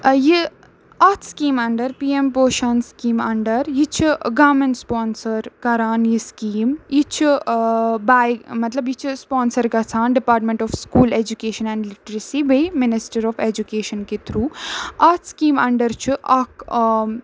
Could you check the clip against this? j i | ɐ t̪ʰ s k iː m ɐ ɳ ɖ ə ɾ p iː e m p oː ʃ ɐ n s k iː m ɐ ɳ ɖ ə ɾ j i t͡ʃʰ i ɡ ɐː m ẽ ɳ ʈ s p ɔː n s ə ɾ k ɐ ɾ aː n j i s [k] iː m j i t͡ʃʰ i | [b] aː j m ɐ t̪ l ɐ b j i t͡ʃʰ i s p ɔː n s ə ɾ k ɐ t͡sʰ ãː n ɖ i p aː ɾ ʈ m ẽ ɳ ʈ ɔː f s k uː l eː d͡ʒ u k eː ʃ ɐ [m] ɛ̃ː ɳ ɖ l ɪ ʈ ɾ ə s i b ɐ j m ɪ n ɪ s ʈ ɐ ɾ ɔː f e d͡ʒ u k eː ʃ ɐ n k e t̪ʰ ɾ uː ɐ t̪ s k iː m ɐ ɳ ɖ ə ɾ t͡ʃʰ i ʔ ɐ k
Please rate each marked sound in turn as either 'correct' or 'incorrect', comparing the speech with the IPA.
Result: correct, correct, incorrect

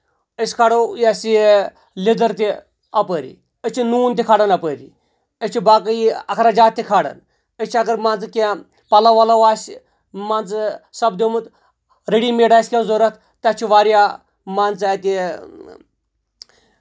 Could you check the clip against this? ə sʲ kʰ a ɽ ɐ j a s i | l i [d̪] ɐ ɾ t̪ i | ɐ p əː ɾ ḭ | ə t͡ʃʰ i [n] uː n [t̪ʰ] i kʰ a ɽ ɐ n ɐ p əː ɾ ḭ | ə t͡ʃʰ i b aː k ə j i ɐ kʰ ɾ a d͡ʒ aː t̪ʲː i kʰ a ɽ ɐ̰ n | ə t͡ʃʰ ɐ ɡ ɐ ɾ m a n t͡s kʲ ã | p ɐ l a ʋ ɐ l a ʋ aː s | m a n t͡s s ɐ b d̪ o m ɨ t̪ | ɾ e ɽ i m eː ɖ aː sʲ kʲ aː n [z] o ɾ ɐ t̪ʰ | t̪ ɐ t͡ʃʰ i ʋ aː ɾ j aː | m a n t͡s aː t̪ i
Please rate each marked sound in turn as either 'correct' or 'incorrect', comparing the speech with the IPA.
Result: correct, correct, incorrect, correct

